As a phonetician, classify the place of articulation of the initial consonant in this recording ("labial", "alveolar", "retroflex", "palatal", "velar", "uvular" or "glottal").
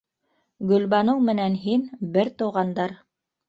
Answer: velar